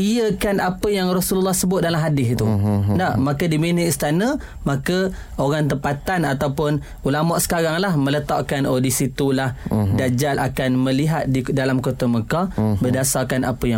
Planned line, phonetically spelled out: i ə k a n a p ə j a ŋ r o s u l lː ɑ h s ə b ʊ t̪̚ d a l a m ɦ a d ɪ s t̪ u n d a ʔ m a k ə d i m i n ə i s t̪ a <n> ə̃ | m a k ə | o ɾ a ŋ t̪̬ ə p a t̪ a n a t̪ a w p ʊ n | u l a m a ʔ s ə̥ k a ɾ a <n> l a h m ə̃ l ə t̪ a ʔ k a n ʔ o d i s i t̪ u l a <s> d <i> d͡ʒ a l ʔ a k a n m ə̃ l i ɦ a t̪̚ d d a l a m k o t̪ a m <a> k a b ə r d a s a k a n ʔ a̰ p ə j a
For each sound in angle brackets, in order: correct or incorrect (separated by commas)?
correct, incorrect, incorrect, incorrect, incorrect